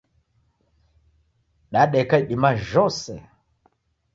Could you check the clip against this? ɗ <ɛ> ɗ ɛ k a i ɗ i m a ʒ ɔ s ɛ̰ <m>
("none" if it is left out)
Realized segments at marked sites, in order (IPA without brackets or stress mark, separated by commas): a, none